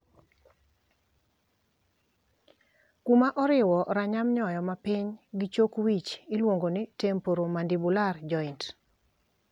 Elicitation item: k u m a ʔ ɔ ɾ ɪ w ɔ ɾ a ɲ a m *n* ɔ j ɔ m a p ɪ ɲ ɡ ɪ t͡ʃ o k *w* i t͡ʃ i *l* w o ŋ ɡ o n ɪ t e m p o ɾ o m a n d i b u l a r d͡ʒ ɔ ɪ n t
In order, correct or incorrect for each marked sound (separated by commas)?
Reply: incorrect, correct, correct